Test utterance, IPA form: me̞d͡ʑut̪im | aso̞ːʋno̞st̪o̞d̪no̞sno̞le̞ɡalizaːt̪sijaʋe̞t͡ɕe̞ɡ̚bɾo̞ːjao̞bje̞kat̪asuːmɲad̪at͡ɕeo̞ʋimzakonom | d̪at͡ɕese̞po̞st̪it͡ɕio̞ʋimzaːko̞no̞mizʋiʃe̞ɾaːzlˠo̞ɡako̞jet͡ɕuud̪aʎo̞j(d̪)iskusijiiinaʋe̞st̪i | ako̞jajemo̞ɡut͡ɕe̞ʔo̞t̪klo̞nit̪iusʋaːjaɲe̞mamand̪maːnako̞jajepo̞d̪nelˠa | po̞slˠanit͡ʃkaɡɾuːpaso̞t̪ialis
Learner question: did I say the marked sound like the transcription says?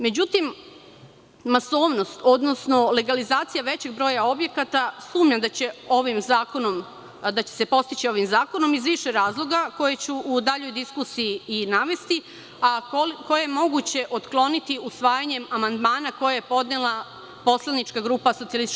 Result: yes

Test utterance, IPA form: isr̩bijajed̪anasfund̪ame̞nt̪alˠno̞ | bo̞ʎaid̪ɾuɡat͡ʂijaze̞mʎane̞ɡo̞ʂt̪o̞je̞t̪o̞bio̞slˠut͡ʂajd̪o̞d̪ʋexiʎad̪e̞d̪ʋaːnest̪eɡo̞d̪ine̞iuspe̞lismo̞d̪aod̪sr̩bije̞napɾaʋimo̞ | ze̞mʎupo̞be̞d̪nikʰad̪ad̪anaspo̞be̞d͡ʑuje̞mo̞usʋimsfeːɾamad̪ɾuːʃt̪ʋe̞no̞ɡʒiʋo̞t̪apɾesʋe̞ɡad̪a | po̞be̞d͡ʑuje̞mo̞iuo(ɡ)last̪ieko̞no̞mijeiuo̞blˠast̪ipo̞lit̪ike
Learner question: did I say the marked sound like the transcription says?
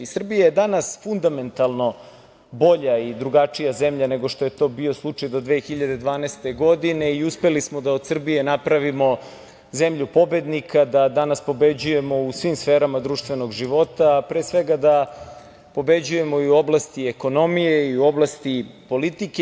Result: no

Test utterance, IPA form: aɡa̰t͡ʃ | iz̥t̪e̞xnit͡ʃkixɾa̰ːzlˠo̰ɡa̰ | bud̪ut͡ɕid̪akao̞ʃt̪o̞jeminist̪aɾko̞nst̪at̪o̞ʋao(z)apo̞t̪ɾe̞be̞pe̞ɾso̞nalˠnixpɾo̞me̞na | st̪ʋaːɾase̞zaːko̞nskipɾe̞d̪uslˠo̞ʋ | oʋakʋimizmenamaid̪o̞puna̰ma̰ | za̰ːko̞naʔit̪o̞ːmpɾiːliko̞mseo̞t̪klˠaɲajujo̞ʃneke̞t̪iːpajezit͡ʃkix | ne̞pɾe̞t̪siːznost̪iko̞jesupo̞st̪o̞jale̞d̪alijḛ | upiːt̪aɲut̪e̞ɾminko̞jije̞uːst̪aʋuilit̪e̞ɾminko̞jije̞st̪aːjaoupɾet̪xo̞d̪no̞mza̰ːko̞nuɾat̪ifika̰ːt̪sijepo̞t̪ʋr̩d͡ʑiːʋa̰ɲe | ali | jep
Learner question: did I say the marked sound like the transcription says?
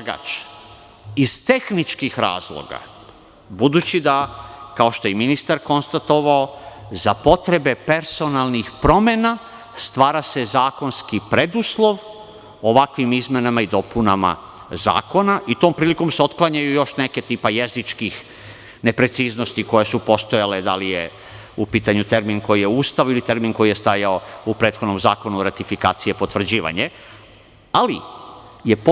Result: yes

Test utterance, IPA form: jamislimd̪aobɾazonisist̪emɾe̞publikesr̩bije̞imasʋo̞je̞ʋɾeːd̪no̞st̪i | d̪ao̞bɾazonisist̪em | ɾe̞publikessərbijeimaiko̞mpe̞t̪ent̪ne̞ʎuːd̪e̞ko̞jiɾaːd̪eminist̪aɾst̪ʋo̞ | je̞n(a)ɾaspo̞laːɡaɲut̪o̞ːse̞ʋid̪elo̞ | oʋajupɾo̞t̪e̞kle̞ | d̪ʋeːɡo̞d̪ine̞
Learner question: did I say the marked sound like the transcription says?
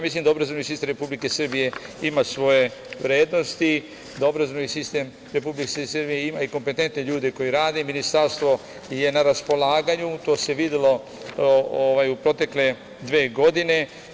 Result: yes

